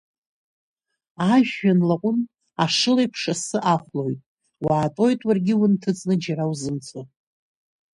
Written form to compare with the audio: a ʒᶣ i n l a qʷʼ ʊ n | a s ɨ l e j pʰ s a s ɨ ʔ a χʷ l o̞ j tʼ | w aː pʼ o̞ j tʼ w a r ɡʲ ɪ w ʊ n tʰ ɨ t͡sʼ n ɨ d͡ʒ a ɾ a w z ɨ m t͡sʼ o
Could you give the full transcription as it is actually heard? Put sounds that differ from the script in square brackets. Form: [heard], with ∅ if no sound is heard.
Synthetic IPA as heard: a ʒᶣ [a] n l a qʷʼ ʊ n | a [ʂ] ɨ l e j pʰ [ʂ] a s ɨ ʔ a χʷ l o̞ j tʼ | w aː [tʼ] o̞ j tʼ w a r ɡʲ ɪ w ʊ n tʰ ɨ t͡sʼ n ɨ d͡ʒ a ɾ a w z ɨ m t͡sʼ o